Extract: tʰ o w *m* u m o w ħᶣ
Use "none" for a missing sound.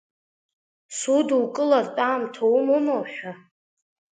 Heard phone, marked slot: m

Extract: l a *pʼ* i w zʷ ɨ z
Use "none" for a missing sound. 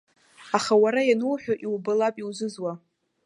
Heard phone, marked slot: pʼ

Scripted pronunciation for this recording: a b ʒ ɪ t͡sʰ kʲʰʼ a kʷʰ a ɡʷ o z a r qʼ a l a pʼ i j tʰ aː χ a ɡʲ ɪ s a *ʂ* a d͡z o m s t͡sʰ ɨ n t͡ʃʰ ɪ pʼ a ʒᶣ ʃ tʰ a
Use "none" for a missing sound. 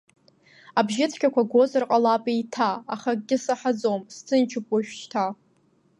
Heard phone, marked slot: ħ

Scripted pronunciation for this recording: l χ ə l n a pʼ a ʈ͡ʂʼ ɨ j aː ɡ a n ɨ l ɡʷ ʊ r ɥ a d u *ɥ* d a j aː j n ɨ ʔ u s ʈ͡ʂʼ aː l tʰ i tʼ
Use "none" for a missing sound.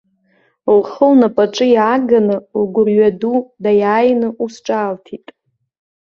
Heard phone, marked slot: none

